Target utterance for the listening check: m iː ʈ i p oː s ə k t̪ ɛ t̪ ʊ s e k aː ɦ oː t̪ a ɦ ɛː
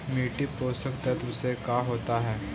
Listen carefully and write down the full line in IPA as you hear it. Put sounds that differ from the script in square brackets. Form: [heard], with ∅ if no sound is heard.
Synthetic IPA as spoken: m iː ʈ i p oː s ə k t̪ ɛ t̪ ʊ s e k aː ɦ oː t̪ a ɦ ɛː